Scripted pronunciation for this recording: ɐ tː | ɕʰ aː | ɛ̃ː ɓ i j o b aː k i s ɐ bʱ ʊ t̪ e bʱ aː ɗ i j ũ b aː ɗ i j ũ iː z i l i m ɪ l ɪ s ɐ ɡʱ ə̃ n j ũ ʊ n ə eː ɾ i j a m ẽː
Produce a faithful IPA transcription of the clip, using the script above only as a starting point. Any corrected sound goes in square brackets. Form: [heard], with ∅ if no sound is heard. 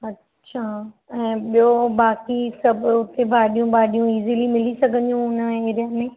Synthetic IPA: ɐ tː | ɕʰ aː | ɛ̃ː ɓ i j o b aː k i s ɐ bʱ ʊ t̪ e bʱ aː ɗ i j ũ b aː ɗ i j ũ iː z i l i m ɪ l [i] s ɐ ɡʱ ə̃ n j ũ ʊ n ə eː ɾ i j a m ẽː